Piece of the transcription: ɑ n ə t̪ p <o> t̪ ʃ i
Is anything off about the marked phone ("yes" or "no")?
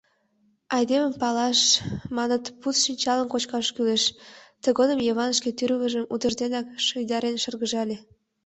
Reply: yes